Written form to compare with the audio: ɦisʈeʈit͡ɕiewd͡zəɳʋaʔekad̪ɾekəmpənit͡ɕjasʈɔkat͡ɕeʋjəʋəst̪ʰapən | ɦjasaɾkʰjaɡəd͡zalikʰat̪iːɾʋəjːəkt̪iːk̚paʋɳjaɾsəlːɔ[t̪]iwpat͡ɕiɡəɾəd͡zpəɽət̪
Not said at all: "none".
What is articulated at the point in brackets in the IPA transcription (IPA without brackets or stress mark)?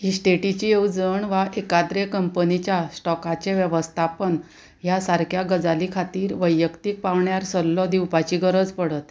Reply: d̪